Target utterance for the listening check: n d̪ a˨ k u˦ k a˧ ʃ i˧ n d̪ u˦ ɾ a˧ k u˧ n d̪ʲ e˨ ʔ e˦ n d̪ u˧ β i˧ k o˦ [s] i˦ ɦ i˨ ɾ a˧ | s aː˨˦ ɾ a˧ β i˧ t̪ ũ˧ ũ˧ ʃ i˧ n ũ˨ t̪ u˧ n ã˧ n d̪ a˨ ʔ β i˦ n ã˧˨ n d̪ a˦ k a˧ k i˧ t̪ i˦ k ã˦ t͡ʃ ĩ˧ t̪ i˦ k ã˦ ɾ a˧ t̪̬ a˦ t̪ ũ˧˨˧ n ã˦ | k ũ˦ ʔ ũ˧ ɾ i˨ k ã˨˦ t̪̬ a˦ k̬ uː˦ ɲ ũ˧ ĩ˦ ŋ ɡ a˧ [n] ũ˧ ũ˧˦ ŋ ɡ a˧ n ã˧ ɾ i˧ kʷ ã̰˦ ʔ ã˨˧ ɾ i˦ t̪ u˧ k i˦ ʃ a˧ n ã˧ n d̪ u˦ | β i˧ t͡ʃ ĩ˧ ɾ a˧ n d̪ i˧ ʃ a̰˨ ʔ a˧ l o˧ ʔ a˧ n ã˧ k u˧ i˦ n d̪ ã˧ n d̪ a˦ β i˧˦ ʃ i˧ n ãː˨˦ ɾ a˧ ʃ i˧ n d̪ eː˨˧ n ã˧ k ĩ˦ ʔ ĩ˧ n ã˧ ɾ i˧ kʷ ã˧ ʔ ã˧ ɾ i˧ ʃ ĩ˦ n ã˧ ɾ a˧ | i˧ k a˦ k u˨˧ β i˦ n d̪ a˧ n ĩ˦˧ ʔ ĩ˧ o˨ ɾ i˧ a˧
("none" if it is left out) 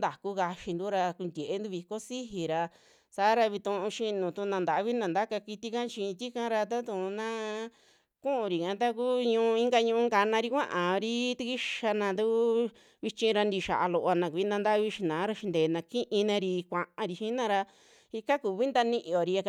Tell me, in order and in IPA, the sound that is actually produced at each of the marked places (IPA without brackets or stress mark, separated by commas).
s, ɲ